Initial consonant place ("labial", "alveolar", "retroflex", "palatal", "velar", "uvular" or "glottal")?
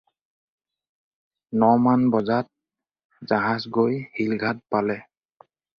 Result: alveolar